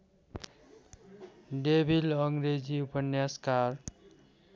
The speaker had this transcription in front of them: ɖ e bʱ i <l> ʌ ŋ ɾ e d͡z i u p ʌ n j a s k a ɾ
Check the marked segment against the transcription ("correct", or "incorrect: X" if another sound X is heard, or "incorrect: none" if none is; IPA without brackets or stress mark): correct